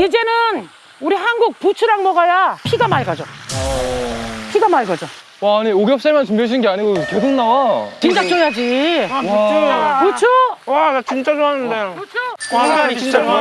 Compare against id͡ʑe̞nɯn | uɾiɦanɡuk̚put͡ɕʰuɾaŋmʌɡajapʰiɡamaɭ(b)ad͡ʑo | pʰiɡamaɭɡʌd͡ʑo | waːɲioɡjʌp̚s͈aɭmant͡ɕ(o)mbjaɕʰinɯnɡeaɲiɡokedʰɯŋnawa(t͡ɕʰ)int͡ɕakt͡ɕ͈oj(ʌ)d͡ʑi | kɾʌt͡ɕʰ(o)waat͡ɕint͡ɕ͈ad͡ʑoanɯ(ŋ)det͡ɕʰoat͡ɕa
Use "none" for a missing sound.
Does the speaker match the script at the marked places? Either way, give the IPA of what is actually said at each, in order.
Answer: ɡ, u, t͡ɕ, a, o, n

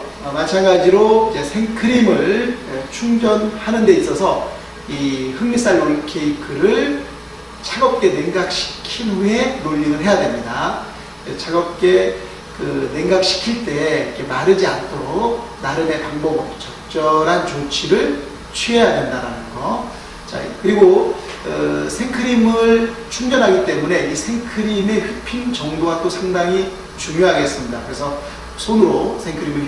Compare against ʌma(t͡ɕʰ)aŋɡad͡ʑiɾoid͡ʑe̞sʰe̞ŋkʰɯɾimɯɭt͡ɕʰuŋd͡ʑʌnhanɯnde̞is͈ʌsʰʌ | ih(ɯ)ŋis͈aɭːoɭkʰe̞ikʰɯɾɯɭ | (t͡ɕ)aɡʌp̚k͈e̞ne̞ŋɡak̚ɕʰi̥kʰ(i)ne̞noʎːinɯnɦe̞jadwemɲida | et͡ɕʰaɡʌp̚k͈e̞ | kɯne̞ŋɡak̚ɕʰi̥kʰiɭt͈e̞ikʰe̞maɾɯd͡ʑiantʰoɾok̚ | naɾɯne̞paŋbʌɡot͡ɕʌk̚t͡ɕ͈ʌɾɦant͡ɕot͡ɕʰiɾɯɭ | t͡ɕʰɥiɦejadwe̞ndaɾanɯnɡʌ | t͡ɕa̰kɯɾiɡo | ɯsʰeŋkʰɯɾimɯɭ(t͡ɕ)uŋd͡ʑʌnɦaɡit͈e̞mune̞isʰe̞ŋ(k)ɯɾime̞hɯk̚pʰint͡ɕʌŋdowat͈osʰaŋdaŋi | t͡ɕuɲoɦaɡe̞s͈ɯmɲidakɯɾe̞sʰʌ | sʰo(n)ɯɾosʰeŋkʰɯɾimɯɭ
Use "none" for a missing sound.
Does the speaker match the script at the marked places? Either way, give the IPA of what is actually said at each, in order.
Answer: t͡ɕʰ, ɯ, t͡ɕʰ, i, t͡ɕʰ, kʰ, n

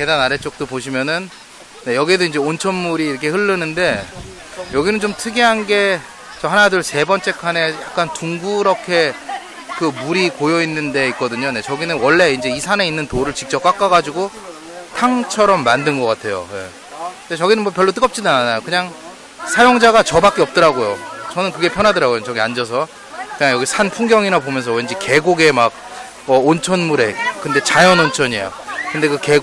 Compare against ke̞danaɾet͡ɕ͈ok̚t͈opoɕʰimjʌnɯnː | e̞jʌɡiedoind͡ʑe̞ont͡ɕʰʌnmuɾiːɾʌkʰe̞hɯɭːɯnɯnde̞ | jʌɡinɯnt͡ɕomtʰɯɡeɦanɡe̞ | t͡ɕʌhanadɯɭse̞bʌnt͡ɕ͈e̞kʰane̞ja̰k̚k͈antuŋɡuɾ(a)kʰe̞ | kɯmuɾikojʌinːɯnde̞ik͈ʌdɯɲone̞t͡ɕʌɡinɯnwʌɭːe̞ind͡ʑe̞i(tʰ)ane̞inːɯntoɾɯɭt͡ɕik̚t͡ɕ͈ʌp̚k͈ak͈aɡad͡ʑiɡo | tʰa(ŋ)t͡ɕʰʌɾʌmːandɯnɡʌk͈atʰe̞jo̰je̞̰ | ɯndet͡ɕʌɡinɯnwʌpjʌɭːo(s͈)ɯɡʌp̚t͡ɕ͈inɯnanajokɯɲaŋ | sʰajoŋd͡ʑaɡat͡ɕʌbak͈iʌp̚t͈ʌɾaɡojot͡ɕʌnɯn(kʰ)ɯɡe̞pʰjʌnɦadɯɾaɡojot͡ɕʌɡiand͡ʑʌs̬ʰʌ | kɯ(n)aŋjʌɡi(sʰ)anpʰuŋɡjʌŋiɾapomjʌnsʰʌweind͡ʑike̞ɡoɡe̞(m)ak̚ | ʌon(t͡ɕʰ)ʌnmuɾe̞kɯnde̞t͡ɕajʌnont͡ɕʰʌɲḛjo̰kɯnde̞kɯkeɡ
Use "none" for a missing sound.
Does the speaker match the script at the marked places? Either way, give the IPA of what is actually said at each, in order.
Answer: ʌ, sʰ, ŋ, t͈, k, ɲ, sʰ, m, t͡ɕʰ

